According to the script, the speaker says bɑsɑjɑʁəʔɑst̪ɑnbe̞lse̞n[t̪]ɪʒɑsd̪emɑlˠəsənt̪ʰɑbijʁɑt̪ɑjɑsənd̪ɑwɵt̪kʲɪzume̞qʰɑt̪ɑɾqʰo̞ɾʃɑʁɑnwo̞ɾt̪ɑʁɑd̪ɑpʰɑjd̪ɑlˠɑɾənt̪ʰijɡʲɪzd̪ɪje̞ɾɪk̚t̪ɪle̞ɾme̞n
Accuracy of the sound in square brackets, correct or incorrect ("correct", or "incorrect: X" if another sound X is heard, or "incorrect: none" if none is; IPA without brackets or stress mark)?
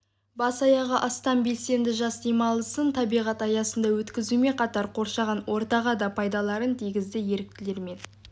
incorrect: d̪